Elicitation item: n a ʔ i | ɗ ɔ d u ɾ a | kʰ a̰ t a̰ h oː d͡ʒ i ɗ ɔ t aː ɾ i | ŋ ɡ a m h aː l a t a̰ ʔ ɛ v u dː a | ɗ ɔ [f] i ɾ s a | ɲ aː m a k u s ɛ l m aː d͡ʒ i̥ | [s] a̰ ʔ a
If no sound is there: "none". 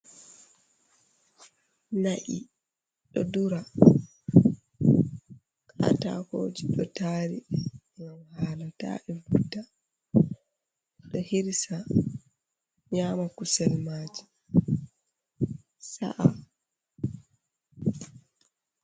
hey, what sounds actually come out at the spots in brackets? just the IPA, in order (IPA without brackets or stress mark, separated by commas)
h, s